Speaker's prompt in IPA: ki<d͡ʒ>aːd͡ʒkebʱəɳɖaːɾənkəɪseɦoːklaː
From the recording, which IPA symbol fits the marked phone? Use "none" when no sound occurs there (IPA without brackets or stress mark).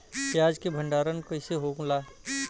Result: none